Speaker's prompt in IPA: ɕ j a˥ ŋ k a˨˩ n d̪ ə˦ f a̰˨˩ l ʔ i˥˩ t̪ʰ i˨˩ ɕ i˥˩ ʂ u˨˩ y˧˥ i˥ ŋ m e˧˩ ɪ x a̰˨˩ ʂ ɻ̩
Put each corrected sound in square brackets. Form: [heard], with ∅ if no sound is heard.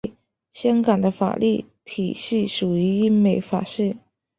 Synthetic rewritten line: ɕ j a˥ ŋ k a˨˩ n d̪ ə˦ f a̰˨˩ l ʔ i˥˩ t̪ʰ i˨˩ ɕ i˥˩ ʂ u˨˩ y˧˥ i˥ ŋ m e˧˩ ɪ [f] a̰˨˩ ʂ ɻ̩